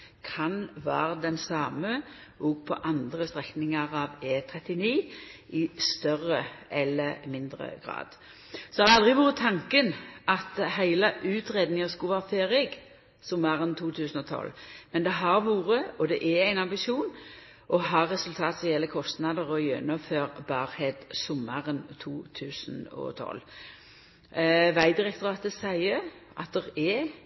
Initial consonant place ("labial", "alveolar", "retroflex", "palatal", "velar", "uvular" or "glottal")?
velar